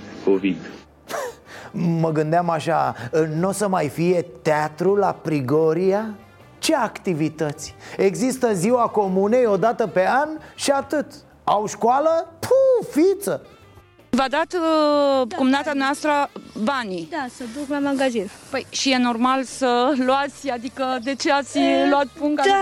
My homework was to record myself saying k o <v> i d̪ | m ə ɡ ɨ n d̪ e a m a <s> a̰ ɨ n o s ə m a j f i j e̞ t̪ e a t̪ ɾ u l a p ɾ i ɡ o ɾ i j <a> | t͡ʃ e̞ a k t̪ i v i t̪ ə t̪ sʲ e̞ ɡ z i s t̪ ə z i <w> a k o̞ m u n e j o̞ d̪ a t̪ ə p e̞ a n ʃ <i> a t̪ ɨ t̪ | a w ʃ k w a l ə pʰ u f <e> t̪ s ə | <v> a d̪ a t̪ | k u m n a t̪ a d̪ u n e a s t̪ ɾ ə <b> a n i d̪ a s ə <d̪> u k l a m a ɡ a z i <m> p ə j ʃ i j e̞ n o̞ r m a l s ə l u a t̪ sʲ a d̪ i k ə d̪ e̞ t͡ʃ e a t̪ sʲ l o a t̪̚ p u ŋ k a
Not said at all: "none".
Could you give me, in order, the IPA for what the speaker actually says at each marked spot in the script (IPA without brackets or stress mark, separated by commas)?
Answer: v, ʃ, a, w, i, i, v, b, d̪, n